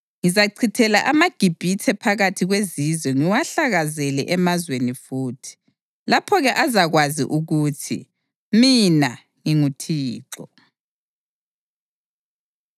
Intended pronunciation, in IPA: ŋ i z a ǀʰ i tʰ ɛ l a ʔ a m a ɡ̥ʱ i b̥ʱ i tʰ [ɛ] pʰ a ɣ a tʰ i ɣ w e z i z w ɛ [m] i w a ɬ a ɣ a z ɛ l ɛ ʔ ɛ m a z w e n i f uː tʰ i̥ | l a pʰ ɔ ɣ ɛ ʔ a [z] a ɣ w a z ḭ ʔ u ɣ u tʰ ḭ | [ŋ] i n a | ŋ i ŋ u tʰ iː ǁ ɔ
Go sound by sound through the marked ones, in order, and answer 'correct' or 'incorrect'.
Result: correct, incorrect: ŋ, correct, incorrect: m

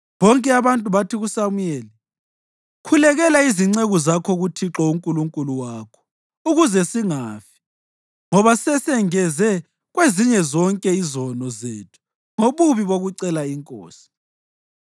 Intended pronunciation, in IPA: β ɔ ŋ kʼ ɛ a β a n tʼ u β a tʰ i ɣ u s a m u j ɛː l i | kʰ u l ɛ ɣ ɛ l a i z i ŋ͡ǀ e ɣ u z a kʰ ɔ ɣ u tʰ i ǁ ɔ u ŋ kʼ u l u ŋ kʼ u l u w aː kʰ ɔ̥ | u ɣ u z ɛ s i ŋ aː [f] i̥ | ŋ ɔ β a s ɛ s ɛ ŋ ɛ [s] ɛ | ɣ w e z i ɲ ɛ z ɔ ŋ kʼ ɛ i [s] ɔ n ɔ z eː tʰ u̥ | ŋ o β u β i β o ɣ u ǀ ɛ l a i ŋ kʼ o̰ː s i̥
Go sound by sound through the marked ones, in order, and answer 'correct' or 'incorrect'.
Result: correct, incorrect: z, incorrect: z

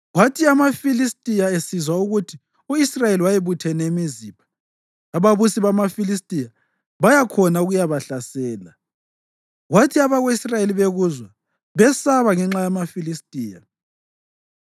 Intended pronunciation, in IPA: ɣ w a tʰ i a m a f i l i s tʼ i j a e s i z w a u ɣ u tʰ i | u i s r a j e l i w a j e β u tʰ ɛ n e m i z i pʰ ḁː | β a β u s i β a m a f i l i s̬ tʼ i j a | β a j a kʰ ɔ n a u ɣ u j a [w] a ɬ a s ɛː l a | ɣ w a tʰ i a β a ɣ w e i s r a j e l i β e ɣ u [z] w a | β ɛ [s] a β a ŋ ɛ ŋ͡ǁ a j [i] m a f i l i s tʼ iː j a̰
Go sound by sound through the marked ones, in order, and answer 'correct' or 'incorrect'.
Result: incorrect: β, correct, correct, incorrect: a

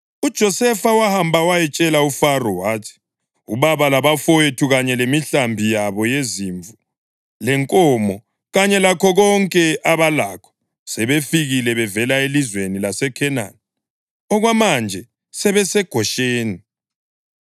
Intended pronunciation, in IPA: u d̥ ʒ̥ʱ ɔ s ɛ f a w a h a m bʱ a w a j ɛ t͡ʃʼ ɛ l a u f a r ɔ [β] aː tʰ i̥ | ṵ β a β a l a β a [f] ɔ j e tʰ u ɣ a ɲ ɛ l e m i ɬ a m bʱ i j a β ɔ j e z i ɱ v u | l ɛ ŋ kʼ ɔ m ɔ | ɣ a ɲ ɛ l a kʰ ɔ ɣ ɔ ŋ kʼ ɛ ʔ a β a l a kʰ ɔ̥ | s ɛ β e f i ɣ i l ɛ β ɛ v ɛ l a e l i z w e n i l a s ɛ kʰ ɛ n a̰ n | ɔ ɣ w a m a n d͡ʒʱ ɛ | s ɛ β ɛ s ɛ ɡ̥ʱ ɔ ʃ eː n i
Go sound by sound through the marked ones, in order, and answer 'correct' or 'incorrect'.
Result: incorrect: w, correct

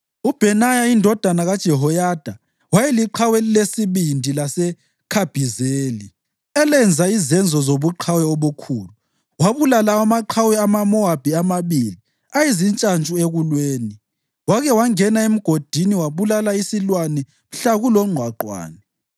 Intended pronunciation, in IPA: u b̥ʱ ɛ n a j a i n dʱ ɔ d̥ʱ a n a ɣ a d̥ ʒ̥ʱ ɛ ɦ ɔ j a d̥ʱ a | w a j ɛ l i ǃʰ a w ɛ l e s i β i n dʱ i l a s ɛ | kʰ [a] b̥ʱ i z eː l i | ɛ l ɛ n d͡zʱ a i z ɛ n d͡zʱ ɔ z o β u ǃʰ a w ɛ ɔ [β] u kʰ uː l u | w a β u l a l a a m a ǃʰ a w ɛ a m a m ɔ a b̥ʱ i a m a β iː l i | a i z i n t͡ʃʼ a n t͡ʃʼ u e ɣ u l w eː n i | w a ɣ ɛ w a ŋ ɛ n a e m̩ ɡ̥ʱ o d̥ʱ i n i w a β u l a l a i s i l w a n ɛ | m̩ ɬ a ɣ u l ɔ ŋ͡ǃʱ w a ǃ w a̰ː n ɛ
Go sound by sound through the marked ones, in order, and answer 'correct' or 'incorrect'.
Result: correct, correct

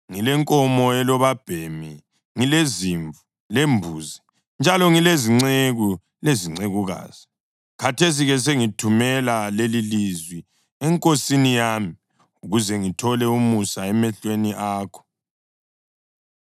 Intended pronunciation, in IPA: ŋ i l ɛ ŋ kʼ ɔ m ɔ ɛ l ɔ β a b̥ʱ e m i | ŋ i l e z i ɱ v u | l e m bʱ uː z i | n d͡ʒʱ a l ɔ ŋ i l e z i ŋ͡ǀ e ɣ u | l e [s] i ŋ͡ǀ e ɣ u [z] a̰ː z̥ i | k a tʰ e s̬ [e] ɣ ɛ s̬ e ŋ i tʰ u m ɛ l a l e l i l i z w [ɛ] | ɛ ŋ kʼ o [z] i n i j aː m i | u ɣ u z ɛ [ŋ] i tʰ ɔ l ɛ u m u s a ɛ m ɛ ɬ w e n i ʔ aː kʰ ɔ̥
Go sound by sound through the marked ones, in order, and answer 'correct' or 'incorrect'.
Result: incorrect: z, incorrect: ɣ, incorrect: i, incorrect: i, incorrect: s, correct

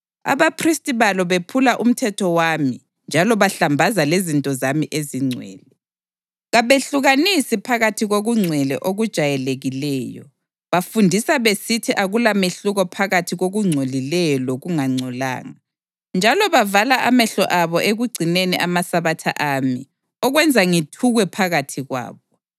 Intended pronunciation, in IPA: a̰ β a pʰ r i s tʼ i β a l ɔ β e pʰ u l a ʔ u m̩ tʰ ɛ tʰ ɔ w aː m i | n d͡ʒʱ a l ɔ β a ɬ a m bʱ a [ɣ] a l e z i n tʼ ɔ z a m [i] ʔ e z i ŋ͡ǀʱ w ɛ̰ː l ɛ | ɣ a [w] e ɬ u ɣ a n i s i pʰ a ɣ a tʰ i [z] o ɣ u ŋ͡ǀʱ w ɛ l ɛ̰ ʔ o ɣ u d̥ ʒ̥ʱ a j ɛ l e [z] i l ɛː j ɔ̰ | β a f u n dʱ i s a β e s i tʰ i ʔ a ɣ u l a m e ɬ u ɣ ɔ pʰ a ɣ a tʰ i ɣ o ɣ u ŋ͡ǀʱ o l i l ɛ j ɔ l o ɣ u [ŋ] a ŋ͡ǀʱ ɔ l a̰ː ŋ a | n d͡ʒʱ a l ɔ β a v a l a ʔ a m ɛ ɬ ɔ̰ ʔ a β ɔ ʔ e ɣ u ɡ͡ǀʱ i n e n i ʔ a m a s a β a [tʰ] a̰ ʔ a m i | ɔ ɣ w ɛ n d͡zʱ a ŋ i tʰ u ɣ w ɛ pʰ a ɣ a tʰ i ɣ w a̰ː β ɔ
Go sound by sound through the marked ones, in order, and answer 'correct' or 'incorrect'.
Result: incorrect: z, correct, incorrect: β, incorrect: ɣ, incorrect: ɣ, correct, correct

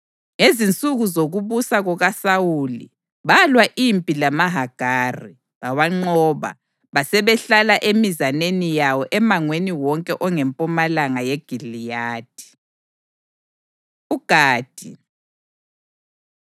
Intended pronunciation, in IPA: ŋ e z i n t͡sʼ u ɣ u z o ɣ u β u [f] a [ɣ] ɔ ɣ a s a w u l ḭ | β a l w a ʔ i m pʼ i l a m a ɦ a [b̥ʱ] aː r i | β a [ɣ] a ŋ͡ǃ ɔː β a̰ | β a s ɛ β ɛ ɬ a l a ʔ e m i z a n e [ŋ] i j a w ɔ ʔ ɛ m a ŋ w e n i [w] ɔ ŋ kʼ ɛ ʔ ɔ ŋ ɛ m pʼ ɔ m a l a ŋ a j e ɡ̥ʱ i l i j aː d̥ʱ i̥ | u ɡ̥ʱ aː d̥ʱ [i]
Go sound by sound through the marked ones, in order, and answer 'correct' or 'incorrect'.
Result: incorrect: s, correct, incorrect: ɡ̥ʱ, incorrect: w, incorrect: n, correct, correct

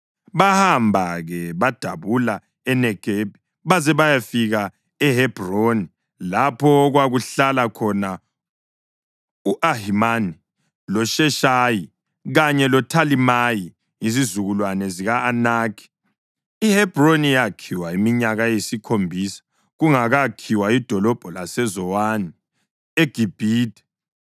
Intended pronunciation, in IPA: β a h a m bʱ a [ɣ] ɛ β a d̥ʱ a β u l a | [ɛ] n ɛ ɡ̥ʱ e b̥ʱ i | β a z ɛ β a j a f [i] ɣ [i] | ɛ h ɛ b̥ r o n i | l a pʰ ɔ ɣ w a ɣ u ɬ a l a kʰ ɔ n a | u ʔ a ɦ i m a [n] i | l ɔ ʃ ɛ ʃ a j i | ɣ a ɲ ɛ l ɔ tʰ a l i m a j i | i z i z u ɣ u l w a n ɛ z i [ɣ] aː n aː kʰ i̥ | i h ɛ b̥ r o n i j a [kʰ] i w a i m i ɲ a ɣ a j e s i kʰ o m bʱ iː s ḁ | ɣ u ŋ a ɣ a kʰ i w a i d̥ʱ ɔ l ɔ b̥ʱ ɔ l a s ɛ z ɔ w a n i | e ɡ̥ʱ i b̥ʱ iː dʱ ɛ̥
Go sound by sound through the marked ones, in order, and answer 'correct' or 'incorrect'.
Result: correct, correct, correct, incorrect: a, correct, correct, correct

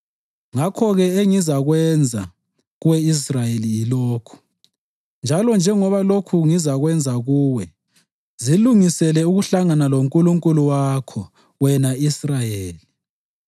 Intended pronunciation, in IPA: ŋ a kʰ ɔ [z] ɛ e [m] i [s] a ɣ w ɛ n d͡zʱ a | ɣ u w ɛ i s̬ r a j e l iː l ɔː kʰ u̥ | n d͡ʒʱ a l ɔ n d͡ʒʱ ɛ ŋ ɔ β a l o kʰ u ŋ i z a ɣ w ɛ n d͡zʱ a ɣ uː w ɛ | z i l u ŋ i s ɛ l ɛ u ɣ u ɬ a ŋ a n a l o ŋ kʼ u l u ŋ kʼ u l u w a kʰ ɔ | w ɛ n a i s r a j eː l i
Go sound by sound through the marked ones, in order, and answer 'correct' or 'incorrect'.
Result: incorrect: ɣ, incorrect: ŋ, incorrect: z

